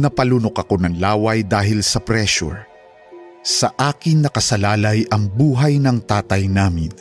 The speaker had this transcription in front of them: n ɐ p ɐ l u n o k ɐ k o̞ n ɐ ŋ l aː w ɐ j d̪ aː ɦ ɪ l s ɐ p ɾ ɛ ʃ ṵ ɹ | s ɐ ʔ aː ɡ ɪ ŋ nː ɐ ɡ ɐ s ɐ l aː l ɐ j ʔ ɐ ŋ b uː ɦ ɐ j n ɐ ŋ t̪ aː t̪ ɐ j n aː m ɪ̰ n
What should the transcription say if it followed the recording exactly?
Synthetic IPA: n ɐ p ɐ l u n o k ɐ k o̞ n ɐ ŋ l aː w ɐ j d̪ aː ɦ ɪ l s ɐ p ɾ ɛ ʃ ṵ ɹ | s ɐ ʔ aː k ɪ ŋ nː ɐ k ɐ s ɐ l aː l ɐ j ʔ ɐ ŋ b uː ɦ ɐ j n ɐ ŋ t̪ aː t̪ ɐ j n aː m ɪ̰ n